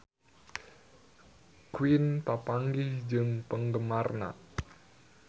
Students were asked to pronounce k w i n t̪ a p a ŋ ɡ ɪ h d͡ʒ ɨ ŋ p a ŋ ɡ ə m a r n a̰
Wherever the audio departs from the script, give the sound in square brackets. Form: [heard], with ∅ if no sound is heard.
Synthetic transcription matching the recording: k w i n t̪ a p a ŋ ɡ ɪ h d͡ʒ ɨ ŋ p [ə] ŋ ɡ ə m a r n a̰

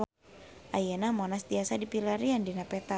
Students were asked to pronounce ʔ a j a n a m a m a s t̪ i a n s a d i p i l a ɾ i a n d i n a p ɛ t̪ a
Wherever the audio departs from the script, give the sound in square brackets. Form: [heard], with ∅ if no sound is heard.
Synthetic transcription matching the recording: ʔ a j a n a m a [n] a s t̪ i a [∅] s a d i p i l a ɾ i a n d i n a p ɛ t̪ a

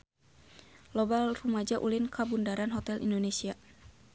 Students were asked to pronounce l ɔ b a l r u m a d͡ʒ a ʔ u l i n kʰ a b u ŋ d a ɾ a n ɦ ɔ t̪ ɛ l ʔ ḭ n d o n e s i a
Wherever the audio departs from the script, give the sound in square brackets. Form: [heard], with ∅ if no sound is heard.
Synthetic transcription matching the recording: l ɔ b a l r u m a d͡ʒ a ʔ u l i n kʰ a b u [n] d a ɾ a n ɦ ɔ t̪ ɛ l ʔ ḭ n d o n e s i a

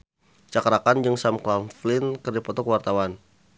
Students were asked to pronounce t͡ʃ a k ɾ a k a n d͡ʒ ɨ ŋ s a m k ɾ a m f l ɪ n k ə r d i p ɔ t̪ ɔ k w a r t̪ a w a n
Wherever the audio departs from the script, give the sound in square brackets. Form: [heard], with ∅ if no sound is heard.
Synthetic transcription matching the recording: t͡ʃ a k ɾ a k a n d͡ʒ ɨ ŋ s a m k [l] a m f l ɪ n k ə r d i p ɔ t̪ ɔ k w a r t̪ a w a n

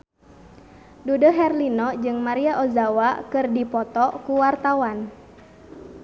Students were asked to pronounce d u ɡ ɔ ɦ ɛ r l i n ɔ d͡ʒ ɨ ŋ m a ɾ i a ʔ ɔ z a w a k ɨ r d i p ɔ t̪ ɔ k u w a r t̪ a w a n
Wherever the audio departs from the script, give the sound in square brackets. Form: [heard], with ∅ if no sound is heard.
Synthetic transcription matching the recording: d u [d] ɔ ɦ ɛ r l i n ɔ d͡ʒ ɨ ŋ m a ɾ i a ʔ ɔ z a w a k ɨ r d i p ɔ t̪ ɔ k u w a r t̪ a w a n

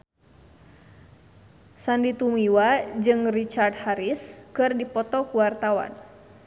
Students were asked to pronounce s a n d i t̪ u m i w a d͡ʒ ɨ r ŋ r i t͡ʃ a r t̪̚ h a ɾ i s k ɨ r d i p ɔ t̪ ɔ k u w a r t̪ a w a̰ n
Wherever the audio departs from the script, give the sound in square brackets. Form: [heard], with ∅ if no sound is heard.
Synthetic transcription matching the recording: s a n d i t̪ u m i w a d͡ʒ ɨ [∅] ŋ r i t͡ʃ a r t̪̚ h a ɾ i s k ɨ r d i p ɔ t̪ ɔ k u w a r t̪ a w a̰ n

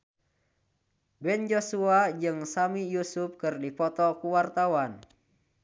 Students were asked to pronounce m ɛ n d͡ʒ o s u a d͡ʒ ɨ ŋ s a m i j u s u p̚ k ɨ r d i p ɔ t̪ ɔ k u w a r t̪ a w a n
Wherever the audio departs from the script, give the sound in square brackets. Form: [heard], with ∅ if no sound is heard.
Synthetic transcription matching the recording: [b] ɛ n d͡ʒ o s u a d͡ʒ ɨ ŋ s a m i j u s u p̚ k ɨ r d i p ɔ t̪ ɔ k u w a r t̪ a w a n

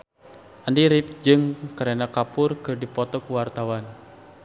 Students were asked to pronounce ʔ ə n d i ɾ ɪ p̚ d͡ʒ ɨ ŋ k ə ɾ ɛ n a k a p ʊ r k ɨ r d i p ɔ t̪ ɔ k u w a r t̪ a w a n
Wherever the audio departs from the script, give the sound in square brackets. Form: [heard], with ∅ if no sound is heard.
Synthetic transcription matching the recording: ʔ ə n d i ɾ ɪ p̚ d͡ʒ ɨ ŋ k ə ɾ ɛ n a k a p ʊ r k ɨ r d i p ɔ t̪ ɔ k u w a r t̪ a w a n

